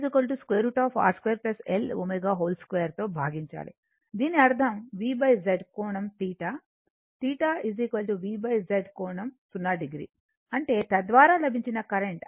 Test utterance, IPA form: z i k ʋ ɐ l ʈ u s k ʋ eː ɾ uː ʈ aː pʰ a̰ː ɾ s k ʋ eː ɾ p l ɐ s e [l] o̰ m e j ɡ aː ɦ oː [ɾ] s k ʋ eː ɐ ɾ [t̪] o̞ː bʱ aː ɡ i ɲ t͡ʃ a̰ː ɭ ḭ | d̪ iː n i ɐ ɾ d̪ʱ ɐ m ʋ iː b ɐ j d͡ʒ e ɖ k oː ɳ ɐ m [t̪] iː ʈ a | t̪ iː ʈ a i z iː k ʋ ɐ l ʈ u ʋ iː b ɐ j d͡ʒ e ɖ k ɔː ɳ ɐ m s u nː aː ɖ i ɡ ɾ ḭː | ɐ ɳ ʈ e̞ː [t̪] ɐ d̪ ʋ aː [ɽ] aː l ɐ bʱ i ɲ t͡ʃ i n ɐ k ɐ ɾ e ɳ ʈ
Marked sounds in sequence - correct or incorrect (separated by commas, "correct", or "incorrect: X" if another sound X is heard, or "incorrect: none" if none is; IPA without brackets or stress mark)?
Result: correct, incorrect: l, correct, correct, correct, incorrect: ɾ